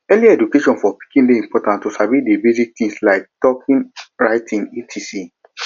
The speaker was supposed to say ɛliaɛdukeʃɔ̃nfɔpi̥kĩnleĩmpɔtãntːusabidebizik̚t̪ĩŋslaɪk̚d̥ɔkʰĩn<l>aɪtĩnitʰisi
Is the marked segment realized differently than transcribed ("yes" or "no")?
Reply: yes